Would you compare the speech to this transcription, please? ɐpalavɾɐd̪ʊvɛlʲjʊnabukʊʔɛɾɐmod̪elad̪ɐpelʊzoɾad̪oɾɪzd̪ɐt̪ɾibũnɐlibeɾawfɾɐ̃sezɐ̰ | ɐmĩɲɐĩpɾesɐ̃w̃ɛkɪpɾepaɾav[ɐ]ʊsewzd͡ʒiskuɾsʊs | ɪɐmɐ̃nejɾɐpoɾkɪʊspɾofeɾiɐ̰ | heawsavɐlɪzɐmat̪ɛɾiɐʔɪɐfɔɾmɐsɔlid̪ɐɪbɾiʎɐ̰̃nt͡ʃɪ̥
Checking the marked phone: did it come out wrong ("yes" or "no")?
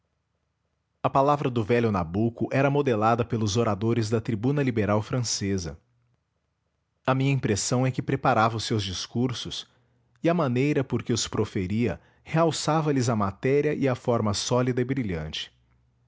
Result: no